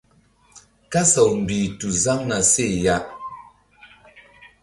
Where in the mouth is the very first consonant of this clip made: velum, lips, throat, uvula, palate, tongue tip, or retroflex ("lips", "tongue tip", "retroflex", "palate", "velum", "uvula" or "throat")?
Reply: velum